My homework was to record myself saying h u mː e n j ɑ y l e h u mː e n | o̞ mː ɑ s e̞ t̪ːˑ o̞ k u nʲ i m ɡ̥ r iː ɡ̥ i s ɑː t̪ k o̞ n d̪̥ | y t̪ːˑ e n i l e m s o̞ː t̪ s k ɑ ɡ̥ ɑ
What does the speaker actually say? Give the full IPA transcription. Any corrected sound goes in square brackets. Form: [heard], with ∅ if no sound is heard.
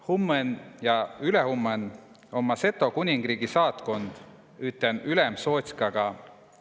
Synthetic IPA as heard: h u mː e n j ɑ y l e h u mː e n | o̞ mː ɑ s e̞ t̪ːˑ o̞ k u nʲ i [ŋ] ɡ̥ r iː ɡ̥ i s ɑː t̪ k o̞ n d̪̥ | y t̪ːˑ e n [y] l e m s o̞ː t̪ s k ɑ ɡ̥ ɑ